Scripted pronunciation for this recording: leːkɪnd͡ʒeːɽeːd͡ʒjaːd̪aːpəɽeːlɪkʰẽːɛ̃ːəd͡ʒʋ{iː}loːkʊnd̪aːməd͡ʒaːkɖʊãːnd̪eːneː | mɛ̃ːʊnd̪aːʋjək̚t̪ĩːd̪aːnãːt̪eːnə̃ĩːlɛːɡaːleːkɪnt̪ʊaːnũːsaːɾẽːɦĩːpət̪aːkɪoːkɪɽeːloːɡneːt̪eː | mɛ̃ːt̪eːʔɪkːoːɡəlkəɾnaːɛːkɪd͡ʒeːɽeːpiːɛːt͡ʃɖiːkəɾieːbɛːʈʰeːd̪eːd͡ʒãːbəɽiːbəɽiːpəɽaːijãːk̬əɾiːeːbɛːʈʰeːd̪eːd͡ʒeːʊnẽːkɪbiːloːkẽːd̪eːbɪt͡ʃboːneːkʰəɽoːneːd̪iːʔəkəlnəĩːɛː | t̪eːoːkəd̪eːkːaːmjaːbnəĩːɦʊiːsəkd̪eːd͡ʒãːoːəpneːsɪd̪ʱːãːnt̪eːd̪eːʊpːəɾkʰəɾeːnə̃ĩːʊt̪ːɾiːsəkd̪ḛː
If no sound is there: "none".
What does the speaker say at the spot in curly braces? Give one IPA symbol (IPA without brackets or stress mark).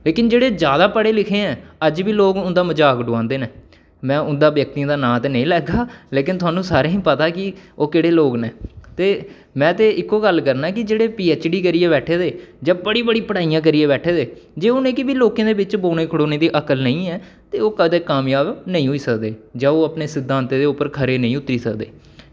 iː